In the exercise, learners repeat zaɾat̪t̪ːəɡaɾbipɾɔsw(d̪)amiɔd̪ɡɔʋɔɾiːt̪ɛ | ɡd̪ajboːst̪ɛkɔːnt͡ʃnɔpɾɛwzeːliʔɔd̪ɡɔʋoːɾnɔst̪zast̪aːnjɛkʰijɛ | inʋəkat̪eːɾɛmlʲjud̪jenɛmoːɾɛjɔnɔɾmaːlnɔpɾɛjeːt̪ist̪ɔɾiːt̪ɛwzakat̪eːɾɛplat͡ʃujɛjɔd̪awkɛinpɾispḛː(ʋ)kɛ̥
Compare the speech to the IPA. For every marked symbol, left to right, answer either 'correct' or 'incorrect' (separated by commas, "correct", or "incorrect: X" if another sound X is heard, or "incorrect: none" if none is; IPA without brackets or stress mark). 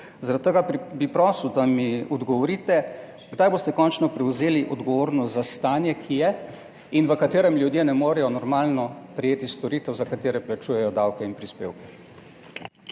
correct, incorrect: w